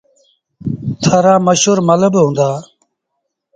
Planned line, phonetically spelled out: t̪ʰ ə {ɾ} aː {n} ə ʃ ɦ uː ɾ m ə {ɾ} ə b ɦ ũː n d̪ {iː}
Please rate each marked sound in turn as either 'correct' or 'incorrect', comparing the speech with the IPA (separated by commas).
correct, incorrect, incorrect, incorrect